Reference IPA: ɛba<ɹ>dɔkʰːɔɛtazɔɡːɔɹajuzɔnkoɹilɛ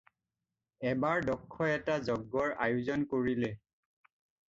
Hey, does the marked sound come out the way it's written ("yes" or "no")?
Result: yes